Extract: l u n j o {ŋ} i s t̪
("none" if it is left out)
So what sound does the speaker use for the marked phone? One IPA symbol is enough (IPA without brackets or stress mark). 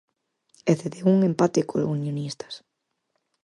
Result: n